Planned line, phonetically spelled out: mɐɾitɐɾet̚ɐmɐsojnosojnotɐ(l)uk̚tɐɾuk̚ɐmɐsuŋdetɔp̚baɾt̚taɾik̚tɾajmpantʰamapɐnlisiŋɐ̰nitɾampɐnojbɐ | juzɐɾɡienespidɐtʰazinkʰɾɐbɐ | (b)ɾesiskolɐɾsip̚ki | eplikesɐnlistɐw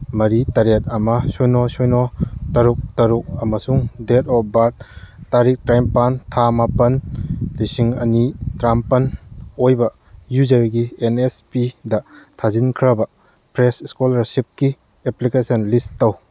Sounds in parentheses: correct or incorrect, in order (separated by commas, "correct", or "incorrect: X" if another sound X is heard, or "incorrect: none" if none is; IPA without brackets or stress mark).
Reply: incorrect: ɾ, incorrect: p